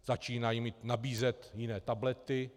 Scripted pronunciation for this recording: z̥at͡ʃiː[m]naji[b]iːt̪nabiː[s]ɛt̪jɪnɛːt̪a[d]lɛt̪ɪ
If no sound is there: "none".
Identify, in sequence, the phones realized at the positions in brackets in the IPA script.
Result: none, m, z, b

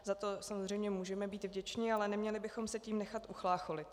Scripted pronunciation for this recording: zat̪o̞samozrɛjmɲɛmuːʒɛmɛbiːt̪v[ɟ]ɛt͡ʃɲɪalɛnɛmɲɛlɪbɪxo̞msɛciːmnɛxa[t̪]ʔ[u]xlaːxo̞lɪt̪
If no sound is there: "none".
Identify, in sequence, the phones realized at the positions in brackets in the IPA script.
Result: ɟ, t̪, u

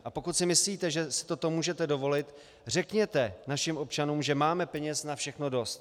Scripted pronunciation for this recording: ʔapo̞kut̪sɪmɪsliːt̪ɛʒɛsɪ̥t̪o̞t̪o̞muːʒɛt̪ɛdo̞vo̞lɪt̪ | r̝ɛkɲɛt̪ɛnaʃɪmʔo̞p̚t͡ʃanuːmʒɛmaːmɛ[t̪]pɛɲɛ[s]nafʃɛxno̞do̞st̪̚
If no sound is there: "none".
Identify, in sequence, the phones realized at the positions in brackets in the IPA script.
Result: none, s

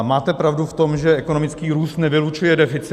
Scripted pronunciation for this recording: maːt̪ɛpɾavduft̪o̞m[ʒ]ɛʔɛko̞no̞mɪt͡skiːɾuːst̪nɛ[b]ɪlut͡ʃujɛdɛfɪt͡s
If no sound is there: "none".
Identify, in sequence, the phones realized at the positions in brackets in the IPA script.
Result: ʒ, v

